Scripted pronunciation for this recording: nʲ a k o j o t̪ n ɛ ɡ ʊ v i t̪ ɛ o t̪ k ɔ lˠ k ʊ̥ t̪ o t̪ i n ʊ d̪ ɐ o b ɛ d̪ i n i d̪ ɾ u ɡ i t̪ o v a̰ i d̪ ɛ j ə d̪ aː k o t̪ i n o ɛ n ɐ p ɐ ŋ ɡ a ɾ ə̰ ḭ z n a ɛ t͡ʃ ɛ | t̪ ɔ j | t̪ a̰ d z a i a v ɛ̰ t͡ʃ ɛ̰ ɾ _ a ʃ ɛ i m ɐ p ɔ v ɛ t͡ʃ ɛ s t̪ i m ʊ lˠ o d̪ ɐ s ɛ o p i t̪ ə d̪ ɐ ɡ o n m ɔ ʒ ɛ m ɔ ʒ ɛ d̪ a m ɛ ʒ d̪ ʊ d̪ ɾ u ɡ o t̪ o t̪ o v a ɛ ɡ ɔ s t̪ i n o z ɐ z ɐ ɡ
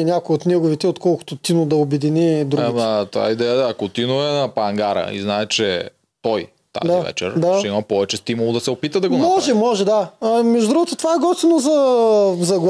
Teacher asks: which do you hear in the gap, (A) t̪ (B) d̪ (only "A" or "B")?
B